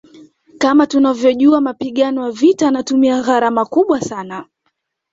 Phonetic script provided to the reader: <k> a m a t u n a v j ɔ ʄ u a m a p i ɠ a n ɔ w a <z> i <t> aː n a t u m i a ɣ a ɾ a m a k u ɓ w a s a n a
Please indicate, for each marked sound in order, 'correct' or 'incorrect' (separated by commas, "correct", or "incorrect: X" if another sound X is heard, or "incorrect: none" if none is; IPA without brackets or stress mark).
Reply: correct, incorrect: v, correct